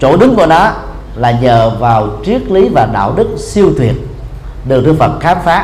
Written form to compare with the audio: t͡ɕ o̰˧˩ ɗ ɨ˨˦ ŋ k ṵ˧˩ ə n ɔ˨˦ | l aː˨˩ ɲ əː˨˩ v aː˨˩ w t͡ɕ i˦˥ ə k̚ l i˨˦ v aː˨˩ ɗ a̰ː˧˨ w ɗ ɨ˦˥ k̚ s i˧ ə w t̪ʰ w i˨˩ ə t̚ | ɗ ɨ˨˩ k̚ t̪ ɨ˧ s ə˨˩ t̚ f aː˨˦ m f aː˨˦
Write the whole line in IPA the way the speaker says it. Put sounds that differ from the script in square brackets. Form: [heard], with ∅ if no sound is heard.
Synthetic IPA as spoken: t͡ɕ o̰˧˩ ɗ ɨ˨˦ ŋ k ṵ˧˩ ə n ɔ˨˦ | l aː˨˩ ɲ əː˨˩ v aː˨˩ w t͡ɕ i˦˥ ə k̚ l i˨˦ v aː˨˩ ɗ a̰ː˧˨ w ɗ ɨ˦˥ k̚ s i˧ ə w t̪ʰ w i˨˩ ə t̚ | ɗ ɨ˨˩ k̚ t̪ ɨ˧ [f] ə˨˩ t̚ [x] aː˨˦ m f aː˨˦